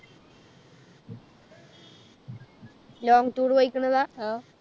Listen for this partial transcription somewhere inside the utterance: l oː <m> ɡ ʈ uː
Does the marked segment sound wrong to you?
yes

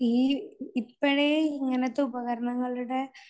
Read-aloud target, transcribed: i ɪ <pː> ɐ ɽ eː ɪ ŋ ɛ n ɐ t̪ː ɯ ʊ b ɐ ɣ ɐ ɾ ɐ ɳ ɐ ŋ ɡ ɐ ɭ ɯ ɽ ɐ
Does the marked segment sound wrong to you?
no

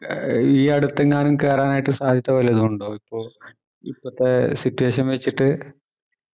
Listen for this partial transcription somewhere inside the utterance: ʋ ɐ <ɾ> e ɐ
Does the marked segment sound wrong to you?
yes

